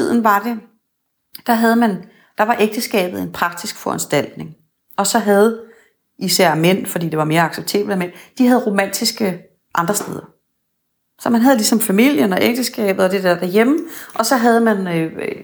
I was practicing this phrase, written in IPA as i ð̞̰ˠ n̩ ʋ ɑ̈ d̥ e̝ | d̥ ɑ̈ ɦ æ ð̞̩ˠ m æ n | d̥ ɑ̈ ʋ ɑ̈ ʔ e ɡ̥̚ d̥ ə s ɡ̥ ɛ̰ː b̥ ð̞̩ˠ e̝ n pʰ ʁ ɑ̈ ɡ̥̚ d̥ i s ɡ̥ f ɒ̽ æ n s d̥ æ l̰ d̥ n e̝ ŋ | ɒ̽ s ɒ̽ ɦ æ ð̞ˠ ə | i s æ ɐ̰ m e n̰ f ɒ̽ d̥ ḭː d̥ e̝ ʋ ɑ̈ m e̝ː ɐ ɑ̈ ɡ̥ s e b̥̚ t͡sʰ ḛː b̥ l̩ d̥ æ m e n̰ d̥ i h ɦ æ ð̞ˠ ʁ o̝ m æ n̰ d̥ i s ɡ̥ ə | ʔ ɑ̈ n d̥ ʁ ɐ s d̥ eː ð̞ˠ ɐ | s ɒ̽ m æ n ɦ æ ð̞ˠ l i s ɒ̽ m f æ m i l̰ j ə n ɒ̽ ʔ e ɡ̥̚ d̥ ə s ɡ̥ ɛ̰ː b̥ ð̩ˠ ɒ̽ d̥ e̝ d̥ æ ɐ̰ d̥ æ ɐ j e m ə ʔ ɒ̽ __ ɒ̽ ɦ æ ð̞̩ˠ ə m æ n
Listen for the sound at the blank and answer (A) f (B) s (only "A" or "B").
B